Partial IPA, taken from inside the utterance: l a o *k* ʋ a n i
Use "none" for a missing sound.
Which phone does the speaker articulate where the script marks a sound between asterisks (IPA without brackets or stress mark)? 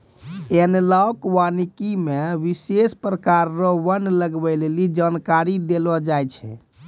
k